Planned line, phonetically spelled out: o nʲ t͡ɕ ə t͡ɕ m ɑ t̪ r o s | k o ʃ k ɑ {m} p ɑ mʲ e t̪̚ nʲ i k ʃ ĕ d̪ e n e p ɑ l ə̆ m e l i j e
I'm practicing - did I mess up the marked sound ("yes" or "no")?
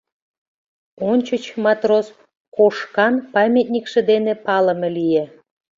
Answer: yes